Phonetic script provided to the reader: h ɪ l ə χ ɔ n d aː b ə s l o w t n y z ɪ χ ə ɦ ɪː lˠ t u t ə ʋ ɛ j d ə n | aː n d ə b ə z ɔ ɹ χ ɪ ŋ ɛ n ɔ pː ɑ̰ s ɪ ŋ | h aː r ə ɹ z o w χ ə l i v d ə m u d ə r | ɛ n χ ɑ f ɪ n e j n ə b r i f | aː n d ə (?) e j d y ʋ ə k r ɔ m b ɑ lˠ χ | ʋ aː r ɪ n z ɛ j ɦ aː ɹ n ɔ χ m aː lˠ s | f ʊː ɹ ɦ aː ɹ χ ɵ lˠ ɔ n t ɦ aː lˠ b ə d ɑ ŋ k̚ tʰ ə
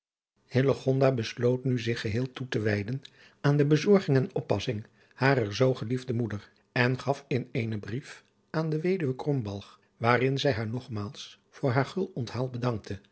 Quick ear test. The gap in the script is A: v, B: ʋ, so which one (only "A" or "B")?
B